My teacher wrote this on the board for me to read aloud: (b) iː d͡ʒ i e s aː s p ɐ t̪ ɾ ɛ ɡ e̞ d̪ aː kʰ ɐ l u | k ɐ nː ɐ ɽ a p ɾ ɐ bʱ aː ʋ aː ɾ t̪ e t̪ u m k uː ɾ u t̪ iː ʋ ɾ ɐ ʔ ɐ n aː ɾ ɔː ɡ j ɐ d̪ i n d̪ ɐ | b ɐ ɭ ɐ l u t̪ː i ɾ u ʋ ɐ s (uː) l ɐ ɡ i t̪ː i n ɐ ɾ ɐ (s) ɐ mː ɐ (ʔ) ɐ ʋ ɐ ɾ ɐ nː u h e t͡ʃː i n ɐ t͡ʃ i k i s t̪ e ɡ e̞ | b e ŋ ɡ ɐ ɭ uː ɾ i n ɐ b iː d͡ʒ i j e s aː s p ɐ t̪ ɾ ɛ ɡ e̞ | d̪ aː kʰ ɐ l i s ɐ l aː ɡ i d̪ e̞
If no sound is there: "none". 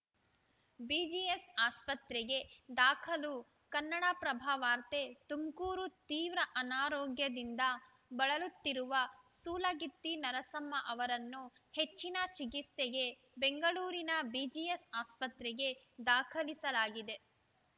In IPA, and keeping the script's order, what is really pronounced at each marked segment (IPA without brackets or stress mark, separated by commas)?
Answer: b, uː, s, ʔ